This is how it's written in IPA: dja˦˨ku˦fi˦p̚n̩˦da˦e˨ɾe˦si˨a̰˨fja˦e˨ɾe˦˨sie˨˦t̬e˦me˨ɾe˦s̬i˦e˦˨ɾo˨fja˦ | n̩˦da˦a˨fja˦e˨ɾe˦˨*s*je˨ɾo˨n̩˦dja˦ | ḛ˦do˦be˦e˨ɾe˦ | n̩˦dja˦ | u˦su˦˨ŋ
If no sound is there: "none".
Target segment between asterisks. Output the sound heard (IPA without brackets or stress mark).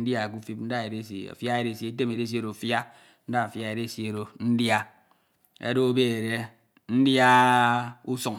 s